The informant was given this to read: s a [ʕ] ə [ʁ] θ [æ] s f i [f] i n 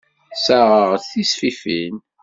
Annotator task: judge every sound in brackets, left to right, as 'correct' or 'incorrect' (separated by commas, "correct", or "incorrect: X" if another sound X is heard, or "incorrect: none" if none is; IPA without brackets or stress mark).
incorrect: ʁ, correct, incorrect: i, correct